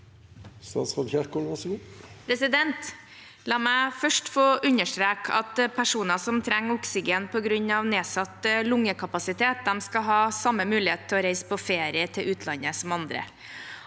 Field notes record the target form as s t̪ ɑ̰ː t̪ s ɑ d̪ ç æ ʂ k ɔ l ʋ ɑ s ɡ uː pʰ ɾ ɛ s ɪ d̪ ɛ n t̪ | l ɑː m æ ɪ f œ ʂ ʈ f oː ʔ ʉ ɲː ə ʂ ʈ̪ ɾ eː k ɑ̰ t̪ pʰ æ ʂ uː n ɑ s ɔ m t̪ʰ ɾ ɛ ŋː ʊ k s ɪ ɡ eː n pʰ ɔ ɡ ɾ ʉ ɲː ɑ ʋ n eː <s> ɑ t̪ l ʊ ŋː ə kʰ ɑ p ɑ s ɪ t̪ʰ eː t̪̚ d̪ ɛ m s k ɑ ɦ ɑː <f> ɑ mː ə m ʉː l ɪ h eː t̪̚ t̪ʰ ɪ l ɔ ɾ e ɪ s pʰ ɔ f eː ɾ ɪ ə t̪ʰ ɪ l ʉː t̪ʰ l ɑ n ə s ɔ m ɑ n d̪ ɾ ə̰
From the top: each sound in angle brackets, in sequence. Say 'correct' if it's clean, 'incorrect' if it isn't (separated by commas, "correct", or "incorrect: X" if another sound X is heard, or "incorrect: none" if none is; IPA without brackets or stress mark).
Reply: correct, incorrect: s